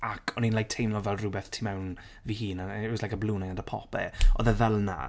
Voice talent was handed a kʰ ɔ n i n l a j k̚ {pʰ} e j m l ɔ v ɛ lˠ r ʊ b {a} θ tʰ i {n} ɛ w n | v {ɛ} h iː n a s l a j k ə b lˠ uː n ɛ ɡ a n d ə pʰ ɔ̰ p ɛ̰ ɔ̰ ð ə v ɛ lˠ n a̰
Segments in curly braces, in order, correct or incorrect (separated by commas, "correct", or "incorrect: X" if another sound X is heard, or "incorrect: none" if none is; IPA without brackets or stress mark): incorrect: tʰ, incorrect: ɛ, incorrect: m, incorrect: i